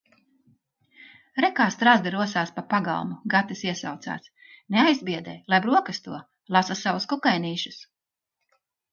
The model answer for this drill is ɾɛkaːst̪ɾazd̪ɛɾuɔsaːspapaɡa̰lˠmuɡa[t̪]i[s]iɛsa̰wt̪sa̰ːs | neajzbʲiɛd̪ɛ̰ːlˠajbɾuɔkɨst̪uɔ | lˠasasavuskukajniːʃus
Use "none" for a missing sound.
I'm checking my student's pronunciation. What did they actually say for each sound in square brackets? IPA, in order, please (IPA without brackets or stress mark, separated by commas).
t̪, s